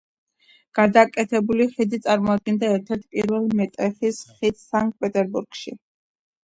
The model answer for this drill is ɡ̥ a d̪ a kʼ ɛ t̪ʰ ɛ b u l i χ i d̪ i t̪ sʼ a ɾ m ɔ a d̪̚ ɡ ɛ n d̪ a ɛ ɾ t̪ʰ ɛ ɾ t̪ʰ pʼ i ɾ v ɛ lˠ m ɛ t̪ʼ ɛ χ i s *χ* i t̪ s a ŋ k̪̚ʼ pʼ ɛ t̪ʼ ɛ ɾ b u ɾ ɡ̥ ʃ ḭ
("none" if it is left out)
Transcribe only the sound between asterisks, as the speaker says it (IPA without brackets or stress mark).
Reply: χ